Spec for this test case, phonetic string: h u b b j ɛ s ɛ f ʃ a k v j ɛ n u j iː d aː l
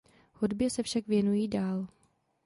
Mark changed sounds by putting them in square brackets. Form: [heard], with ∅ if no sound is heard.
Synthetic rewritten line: h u [d] b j ɛ s ɛ f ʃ a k v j ɛ n u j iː d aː l